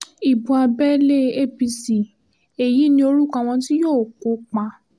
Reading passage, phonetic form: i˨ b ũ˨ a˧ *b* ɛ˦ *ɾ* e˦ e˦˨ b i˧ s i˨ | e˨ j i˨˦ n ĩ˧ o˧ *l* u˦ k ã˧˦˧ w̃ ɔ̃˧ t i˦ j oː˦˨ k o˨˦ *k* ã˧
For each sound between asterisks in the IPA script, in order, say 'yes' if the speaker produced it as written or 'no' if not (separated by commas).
yes, no, no, no